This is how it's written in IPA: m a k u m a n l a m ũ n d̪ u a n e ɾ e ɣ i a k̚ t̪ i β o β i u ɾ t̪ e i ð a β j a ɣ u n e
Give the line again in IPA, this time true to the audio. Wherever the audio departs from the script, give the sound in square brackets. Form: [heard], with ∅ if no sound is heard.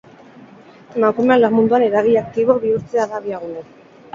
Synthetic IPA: m a k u m a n l a m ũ n d̪ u a n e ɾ [a] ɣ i a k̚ t̪ i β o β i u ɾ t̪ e [a] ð a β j a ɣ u n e